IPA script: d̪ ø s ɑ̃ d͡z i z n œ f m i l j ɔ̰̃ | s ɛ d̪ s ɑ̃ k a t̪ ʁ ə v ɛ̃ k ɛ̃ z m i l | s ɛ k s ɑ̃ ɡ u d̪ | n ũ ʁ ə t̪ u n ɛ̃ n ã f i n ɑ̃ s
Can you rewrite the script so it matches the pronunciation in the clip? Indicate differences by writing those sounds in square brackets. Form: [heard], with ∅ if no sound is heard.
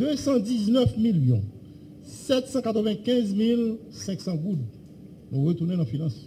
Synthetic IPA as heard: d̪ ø s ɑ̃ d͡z i z n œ f m i l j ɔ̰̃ | s ɛ [t̪] s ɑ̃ k a t̪ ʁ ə v ɛ̃ k ɛ̃ z m i l | s [ɛ̃] k s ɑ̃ ɡ u d̪ | n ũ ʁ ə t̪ u n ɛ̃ n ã f i n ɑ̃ s

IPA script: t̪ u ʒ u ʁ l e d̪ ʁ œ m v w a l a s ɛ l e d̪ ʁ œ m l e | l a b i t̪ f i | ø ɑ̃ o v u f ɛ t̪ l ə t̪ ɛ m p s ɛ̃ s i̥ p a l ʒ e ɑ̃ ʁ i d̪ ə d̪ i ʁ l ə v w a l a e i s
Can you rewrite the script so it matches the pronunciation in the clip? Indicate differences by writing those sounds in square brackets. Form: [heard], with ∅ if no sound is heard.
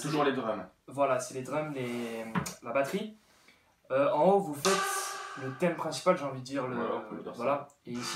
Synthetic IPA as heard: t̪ u ʒ u ʁ l e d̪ ʁ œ m v w a l a s ɛ l e d̪ ʁ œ m l e | l a b [a] t̪ [χ] i | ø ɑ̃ o v u f ɛ t̪ l ə t̪ ɛ m p [χ] ɛ̃ s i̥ p a l ʒ e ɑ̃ [v] i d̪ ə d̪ i ʁ l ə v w a l a e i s

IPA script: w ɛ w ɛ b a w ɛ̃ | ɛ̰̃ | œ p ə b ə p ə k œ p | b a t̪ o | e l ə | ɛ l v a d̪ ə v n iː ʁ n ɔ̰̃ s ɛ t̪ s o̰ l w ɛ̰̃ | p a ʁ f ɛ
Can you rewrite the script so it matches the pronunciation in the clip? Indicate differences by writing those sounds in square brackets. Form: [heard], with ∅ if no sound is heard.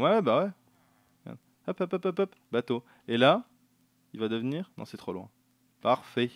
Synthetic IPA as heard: w ɛ w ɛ b a w [ɛ] | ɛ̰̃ | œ p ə [p] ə p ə [p] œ p | b a t̪ o | e l [a] | [i] l v a d̪ ə v n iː ʁ n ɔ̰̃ s ɛ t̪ [χ] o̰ l w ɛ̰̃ | p a ʁ f ɛ

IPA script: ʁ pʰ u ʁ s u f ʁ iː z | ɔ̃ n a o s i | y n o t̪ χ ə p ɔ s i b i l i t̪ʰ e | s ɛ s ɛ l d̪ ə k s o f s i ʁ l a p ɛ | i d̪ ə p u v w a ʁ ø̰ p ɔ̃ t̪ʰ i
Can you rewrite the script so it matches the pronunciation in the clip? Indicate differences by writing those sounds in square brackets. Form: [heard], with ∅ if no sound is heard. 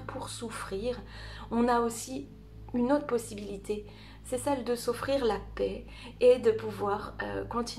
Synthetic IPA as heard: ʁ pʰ u ʁ s u f [χ] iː [ʁ] | ɔ̃ n a o s i | y n o t̪ χ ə p ɔ s i b i l i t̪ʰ e | s ɛ s ɛ l d̪ ə [∅] s o f [χ] i ʁ l a p ɛ | [e] d̪ ə p u v w a ʁ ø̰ [k] ɔ̃ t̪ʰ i

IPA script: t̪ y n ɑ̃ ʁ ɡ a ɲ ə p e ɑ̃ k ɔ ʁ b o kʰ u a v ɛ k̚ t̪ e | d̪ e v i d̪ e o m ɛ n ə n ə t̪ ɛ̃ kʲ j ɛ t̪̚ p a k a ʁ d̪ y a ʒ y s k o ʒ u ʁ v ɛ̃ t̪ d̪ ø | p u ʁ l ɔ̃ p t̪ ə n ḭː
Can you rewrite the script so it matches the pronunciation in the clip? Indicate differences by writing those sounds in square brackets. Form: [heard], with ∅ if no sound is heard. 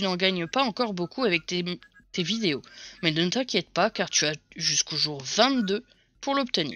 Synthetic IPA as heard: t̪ y n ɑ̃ [∅] ɡ a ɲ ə p [a] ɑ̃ k ɔ ʁ b o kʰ u a v ɛ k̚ t̪ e | [t̪] e v i d̪ e o m ɛ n ə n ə t̪ ɛ̃ kʲ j ɛ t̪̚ p a k a ʁ [t̪] y a ʒ y s k o ʒ u ʁ v ɛ̃ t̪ d̪ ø | p u ʁ l [ɔ] p t̪ ə n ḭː

